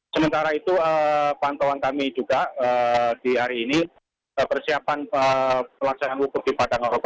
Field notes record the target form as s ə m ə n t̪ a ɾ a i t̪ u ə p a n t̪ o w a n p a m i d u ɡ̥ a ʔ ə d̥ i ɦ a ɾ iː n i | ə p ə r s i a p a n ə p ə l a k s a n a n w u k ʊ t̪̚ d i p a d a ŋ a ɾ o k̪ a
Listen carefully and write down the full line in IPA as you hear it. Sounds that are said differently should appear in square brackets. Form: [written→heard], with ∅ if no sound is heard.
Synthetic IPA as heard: s ə m ə n t̪ a ɾ a i t̪ u ə p a n t̪ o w a n [p→k] a m i [d→d͡ʒ] u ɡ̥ a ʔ ə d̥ i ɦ a ɾ iː n i | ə p ə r s i a p a n ə p ə l a k s a n a n w u k ʊ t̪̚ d i p a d a ŋ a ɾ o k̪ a

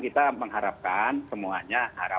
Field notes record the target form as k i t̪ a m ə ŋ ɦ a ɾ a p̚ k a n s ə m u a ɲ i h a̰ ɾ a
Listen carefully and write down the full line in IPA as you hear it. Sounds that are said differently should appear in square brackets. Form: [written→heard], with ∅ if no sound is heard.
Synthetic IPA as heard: k i t̪ a m ə ŋ ɦ a ɾ a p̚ k a n s ə m u a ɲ [i→a] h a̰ ɾ a

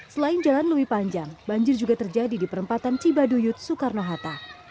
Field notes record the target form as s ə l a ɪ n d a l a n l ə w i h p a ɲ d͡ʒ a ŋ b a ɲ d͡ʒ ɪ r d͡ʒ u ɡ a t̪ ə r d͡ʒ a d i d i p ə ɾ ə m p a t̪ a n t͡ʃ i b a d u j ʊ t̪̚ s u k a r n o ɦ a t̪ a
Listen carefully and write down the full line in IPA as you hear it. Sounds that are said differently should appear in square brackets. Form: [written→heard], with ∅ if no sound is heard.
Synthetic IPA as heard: s ə l a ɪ n [d→d͡ʒ] a l a n l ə w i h p a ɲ d͡ʒ a ŋ b a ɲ d͡ʒ ɪ r d͡ʒ u ɡ a t̪ ə r d͡ʒ a d i d i p ə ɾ ə m p a t̪ a n t͡ʃ i b a d u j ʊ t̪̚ s u k a r n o ɦ a t̪ a

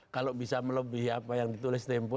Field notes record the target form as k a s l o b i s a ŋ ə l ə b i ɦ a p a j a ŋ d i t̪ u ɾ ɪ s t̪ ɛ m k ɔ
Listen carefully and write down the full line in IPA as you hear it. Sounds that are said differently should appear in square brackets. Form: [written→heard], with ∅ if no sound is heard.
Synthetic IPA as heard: k a [s→∅] l o b i s a [ŋ→m] ə l ə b i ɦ a p a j a ŋ d i t̪ u [ɾ→l] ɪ s t̪ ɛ m [k→p] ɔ

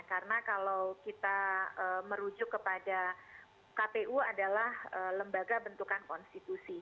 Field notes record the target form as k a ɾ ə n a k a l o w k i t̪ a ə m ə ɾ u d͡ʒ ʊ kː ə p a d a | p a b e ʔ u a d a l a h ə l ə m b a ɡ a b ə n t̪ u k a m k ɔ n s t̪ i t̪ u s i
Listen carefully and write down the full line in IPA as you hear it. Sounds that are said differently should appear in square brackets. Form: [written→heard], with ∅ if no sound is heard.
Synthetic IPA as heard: k a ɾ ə n a k a l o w k i t̪ a ə m ə ɾ u d͡ʒ ʊ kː ə p a d a | [p→k] a [b→p] e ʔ u a d a l a h ə l ə m b a ɡ a b ə n t̪ u k a [m→n] k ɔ n s t̪ i t̪ u s i

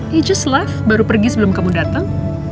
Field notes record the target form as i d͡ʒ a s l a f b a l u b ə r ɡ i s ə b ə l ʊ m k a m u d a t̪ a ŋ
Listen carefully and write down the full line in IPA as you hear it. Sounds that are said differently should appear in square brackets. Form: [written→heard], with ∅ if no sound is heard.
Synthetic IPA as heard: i d͡ʒ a s l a f b a [l→ɾ] u [b→p] ə r ɡ i s ə b ə l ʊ m k a m u d a t̪ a ŋ

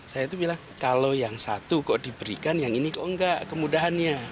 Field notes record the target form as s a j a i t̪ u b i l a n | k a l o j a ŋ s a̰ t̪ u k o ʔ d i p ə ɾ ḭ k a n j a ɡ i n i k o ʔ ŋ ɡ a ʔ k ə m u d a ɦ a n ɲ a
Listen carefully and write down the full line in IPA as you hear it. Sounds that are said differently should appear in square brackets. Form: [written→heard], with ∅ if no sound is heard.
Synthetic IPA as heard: s a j a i t̪ u b i l a [n→ŋ] | k a l o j a ŋ s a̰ t̪ u k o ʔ d i [p→b] ə ɾ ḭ k a n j a [ɡ→ŋ] i n i k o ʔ ŋ ɡ a ʔ k ə m u d a ɦ a n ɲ a

